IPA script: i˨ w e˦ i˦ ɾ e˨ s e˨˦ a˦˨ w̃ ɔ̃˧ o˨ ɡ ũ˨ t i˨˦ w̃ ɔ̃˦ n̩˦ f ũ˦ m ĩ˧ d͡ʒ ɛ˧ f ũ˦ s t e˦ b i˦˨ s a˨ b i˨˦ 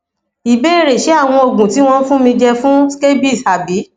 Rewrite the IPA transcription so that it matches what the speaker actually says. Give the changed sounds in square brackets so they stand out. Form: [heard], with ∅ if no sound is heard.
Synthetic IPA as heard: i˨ [b] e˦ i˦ ɾ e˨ [ʃ] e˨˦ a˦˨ w̃ ɔ̃˧ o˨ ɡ ũ˨ t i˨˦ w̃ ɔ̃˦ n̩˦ f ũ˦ m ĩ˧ d͡ʒ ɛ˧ f ũ˦ s [k] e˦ b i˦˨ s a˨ b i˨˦